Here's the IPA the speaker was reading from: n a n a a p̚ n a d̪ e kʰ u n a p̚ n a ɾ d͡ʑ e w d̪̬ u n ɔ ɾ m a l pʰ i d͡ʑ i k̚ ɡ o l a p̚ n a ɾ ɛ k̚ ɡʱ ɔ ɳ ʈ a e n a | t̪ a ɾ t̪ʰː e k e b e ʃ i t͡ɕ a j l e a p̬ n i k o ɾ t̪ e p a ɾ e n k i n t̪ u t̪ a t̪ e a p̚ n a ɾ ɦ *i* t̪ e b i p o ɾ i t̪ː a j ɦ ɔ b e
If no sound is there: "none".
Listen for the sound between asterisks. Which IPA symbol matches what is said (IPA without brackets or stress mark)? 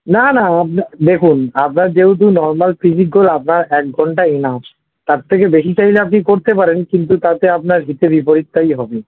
i